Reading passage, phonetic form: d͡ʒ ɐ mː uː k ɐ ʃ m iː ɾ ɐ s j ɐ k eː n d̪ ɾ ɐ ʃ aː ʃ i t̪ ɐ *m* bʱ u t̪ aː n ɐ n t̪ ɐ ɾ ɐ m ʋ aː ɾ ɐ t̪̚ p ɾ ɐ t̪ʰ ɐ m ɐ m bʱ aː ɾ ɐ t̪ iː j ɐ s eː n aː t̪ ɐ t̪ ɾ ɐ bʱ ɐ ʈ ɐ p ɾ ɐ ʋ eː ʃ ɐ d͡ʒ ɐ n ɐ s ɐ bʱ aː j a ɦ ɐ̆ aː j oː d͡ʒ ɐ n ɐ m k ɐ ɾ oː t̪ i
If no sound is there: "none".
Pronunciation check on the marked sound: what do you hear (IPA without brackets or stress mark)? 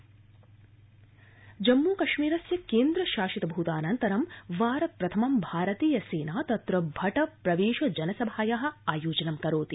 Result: none